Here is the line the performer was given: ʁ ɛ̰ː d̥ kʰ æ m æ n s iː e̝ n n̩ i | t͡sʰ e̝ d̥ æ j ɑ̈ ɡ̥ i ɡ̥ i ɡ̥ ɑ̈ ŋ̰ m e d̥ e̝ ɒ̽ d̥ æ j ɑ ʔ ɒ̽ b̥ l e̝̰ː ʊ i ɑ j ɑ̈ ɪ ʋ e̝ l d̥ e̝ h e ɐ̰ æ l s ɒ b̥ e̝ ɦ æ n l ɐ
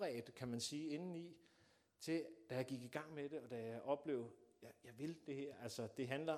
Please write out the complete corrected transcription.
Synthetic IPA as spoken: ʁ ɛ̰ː d̥ kʰ æ m æ n s iː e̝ n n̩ i | t͡sʰ e̝ d̥ æ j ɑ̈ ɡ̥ i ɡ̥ i ɡ̥ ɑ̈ ŋ̰ m e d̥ e̝ ɒ̽ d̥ æ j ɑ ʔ ɒ̽ b̥ l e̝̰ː ʊ j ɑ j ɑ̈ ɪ ʋ e̝ l d̥ e̝ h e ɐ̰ æ l s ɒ d̥ e̝ ɦ æ n l ɐ